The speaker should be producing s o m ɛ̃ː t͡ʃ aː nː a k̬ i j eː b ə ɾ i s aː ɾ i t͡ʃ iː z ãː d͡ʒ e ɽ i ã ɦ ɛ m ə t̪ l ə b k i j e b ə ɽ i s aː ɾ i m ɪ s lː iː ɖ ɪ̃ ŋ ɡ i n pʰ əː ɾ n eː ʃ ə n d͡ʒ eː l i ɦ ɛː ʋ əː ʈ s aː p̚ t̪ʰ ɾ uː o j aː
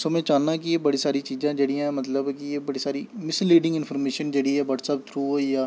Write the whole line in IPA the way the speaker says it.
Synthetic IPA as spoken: s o m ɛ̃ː t͡ʃ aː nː a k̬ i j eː b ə ɽ i s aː ɾ i t͡ʃ iː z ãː d͡ʒ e ɽ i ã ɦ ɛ m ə t̪ l ə b k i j e b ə ɽ i s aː ɾ i m ɪ s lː iː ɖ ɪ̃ ŋ ɡ ɪ n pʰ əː ɾ m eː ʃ ə n d͡ʒ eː ɽ i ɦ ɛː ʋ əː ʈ s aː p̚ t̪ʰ ɾ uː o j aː